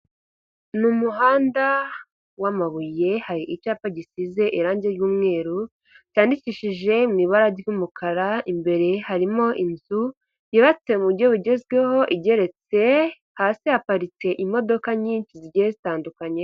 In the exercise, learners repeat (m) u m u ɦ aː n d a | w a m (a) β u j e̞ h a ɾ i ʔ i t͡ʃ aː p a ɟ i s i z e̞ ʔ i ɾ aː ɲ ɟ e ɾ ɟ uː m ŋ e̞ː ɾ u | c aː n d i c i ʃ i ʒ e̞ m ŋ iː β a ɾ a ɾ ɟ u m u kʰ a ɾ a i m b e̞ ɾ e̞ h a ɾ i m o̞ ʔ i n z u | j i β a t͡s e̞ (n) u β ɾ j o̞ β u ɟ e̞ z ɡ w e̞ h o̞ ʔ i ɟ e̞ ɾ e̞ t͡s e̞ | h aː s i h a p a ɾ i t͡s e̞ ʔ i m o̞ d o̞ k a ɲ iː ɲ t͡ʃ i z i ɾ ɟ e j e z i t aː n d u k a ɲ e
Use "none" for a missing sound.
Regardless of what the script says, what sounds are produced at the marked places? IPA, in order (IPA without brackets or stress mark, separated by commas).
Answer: n, a, m